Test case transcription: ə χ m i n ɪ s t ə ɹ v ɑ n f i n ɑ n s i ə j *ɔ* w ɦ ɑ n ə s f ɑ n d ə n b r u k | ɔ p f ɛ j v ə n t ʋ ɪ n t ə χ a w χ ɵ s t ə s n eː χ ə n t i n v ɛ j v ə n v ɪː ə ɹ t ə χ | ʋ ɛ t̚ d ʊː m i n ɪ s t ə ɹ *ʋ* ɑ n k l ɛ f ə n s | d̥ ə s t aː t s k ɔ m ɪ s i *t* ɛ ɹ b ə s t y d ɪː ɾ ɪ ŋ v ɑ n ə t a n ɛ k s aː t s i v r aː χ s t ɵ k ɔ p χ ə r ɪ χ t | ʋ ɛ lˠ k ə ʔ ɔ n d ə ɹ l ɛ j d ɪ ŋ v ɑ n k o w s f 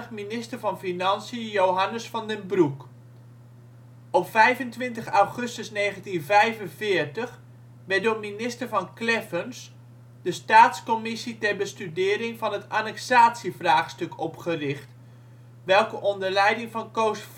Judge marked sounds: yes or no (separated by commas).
no, no, yes